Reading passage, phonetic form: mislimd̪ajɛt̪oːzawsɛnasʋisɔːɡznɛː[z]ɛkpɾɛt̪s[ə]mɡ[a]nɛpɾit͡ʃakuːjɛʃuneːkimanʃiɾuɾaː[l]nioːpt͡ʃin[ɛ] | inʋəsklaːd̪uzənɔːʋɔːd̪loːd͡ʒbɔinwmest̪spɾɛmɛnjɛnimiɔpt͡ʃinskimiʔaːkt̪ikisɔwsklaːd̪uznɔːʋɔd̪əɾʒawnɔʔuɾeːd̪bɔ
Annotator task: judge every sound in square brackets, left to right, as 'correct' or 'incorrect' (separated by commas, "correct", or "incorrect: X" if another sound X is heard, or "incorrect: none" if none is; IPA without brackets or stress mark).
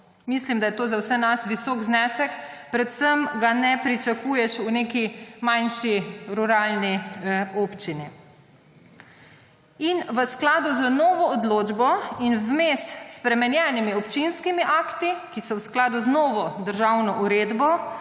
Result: incorrect: s, correct, correct, correct, incorrect: i